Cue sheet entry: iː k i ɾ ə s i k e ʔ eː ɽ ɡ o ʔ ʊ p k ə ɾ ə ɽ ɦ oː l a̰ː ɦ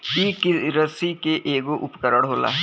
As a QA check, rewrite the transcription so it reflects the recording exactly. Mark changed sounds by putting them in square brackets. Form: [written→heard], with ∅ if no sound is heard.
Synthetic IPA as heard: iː k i ɾ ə s i k e ʔ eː [ɽ→∅] ɡ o ʔ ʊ p k ə ɾ ə ɽ ɦ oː l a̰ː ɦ